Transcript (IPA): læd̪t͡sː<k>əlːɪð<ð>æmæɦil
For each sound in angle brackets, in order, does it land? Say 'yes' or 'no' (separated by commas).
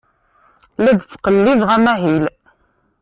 no, no